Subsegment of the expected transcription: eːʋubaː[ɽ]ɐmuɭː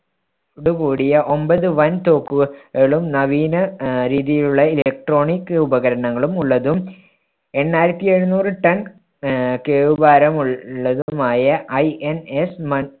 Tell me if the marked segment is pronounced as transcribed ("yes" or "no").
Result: no